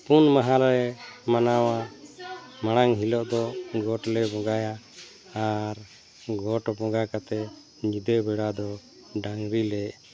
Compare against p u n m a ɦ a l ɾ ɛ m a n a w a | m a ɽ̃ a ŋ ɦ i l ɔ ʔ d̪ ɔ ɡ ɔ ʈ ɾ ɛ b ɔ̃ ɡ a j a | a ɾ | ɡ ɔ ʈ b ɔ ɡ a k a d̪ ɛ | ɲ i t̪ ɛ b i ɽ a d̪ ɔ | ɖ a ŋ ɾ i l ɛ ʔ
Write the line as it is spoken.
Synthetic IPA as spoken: p u n m a ɦ a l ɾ ɛ m a n a w a | m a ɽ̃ a ŋ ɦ i l ɔ ʔ d̪ ɔ ɡ ɔ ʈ l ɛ b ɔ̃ ɡ a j a | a ɾ | ɡ ɔ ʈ b ɔ ɡ a k a t̪ ɛ | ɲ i d̪ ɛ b ɛ ɽ a d̪ ɔ | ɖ a ŋ ɾ i l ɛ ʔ